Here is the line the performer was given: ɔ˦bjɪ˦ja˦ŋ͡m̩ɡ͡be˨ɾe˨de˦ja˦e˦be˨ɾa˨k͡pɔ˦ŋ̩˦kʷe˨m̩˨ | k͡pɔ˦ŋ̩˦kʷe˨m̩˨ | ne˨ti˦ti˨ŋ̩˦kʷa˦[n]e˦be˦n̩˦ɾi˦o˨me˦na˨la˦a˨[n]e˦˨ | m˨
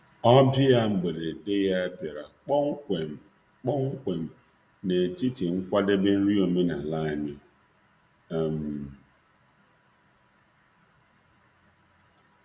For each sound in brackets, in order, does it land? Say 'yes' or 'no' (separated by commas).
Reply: no, no